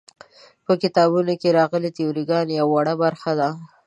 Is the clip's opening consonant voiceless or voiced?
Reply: voiceless